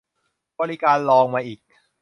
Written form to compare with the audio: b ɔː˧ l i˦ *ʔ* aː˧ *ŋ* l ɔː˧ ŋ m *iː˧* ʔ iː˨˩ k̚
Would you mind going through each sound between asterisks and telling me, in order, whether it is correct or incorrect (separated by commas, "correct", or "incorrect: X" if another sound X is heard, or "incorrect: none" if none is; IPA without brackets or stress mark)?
incorrect: k, incorrect: n, incorrect: aː˧